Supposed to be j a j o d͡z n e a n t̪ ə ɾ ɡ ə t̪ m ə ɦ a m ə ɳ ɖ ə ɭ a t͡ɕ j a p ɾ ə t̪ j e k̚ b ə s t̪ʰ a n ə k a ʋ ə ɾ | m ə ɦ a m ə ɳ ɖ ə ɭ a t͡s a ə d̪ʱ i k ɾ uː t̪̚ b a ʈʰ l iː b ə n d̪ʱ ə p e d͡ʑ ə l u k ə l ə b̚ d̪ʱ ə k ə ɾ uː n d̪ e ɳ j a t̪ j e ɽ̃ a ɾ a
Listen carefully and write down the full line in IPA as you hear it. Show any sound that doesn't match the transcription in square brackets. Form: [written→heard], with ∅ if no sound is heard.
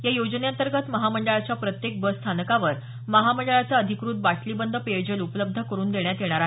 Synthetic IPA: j a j o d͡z n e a n t̪ ə ɾ ɡ ə t̪ m ə ɦ a m ə ɳ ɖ ə ɭ a t͡ɕ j a p ɾ ə t̪ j e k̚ b ə s t̪ʰ a n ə k a ʋ ə ɾ | m ə ɦ a m ə ɳ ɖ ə ɭ a t͡s a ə d̪ʱ i k ɾ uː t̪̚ b a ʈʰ l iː b ə n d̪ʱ ə p e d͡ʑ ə l u [k→p] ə l ə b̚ d̪ʱ ə k ə ɾ uː n d̪ e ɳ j a t̪ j e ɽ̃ a ɾ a